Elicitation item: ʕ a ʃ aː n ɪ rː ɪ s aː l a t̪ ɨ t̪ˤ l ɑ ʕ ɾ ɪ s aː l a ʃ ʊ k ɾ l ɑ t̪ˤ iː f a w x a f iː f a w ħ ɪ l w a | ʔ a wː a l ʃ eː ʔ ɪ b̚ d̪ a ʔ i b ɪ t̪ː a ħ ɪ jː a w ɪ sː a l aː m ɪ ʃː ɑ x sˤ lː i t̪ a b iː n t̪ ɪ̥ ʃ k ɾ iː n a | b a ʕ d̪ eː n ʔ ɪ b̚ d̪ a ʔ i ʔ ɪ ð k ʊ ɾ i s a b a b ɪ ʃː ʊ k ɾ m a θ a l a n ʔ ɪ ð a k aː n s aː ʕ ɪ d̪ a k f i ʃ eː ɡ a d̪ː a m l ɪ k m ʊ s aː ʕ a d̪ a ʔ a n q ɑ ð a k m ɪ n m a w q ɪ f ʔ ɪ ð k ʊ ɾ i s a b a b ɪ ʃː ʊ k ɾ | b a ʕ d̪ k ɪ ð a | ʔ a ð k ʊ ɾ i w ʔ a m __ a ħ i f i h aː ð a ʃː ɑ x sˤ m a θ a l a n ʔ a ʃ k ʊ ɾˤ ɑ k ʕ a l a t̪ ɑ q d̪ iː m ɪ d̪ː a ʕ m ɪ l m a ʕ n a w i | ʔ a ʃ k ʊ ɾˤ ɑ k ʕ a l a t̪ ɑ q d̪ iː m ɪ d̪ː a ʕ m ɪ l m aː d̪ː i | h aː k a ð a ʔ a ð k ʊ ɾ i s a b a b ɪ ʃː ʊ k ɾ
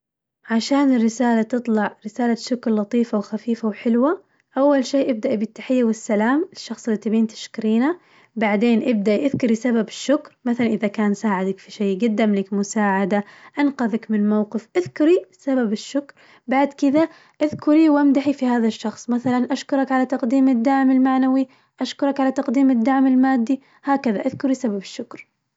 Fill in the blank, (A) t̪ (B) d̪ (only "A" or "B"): B